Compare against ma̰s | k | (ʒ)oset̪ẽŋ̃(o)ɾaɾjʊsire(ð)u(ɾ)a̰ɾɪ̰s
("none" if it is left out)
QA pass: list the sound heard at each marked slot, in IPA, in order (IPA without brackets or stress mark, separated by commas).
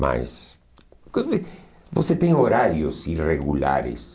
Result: v, o, ɣ, l